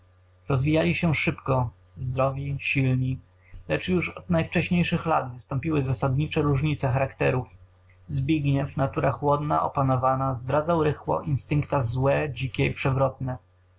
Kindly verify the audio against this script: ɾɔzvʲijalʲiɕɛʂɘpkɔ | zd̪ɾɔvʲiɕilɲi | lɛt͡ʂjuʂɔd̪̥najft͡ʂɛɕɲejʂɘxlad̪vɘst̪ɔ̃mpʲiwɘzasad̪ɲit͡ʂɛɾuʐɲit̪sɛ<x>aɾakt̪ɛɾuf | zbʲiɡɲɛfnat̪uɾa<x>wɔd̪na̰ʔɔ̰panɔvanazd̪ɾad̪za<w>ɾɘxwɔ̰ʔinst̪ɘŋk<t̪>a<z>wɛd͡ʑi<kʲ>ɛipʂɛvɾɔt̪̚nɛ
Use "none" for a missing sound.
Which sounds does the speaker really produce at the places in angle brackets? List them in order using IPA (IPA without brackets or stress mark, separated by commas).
x, x, w, t̪, z, kʲ